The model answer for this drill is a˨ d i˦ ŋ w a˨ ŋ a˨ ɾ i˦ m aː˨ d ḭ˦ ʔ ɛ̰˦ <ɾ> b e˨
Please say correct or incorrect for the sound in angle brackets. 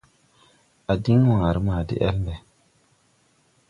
incorrect